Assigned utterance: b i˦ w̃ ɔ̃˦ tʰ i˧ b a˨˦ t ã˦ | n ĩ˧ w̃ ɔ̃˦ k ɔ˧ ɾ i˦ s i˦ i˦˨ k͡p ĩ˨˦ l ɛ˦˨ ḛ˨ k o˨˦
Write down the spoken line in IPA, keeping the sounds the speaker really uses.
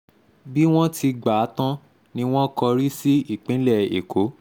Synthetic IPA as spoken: b i˦ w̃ ɔ̃˦ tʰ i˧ ɡ͡b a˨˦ t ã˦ | n ĩ˧ w̃ ɔ̃˦ k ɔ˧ ɾ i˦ s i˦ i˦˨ k͡p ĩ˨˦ l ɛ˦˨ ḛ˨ k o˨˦